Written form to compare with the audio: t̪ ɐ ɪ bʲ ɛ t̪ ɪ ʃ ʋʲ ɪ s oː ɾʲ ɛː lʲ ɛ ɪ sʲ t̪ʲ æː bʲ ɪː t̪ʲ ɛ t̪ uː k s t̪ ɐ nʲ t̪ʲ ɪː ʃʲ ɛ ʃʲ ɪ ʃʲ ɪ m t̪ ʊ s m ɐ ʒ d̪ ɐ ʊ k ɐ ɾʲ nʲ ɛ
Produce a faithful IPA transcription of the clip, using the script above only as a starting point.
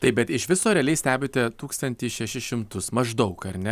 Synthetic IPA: t̪ ɐ ɪ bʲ ɛ t̪ ɪ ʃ ʋʲ ɪ s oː ɾʲ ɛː lʲ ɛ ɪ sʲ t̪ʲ æː bʲ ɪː t̪ʲ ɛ t̪ uː k s t̪ ɐ nʲ t̪ʲ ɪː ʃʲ ɛ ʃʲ ɪ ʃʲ ɪ m t̪ ʊ s m ɐ ʒ d̪ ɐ ʊ k ɐ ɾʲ nʲ ɛ